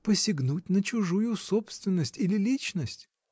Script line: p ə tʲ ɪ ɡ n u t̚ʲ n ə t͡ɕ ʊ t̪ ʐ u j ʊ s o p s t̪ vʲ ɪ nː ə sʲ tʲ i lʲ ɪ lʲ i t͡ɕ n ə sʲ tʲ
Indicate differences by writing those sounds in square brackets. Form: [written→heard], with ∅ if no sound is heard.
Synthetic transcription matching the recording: p ə [tʲ→sʲ] ɪ ɡ n u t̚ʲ n ə t͡ɕ ʊ [t̪→∅] ʐ u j ʊ s o p s t̪ vʲ ɪ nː ə sʲ tʲ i lʲ ɪ lʲ i t͡ɕ n ə sʲ tʲ